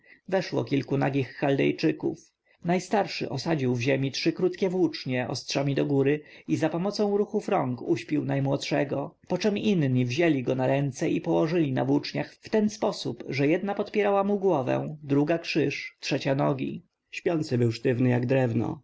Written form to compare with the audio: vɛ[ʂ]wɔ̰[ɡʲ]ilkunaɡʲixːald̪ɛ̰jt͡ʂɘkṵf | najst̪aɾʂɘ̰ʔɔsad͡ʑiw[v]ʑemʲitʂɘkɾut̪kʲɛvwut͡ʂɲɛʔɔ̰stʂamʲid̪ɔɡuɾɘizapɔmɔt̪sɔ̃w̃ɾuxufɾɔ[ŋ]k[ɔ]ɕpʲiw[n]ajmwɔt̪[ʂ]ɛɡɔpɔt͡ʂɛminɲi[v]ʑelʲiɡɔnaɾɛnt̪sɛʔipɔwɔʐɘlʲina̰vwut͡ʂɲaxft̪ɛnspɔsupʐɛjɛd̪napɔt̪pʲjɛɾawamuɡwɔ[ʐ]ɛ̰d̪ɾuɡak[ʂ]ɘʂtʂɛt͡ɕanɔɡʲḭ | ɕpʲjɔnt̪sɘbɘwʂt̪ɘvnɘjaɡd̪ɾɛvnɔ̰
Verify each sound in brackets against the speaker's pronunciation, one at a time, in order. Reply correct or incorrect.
correct, incorrect, correct, correct, incorrect, correct, correct, correct, incorrect, correct

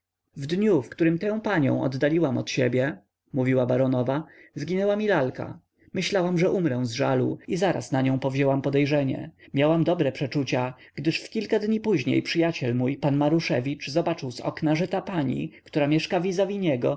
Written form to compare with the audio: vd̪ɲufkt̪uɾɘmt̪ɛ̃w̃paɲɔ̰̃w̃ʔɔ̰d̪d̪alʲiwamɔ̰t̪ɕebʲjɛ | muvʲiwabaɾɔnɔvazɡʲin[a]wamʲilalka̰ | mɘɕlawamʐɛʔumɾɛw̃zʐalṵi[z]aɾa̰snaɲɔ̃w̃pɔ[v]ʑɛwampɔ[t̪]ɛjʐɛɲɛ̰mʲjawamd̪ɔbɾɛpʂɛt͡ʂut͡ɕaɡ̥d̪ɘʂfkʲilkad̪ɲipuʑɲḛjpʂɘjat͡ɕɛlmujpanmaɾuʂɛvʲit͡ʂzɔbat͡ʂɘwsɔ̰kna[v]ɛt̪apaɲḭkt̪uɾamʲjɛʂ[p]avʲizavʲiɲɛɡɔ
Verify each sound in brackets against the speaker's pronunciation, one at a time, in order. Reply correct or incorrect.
incorrect, correct, correct, incorrect, incorrect, incorrect

